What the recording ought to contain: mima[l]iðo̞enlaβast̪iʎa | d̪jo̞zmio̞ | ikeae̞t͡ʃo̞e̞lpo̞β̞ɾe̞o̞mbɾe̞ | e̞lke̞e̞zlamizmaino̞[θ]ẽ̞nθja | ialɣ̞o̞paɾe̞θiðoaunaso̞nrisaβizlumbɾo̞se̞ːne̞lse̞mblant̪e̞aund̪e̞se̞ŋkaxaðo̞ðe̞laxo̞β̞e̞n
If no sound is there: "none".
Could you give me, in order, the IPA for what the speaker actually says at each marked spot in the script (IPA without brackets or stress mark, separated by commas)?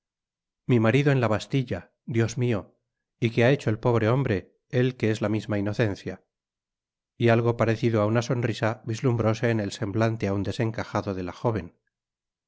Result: ɾ, θ